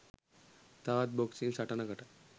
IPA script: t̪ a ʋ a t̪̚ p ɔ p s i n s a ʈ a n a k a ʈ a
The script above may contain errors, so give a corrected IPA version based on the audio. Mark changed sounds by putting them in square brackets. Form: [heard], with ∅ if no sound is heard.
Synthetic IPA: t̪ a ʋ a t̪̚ [b] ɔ [k] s i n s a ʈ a n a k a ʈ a